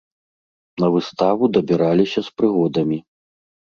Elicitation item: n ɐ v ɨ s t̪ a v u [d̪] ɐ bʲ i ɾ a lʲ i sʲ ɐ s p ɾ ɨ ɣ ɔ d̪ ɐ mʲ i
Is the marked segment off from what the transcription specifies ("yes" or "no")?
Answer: no